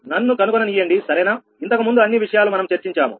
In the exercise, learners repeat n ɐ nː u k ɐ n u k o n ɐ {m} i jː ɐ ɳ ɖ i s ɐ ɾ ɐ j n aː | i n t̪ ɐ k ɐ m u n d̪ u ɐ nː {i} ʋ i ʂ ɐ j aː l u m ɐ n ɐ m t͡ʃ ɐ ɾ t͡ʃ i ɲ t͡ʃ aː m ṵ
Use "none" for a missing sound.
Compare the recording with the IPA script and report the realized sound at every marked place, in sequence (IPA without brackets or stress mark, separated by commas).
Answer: n, i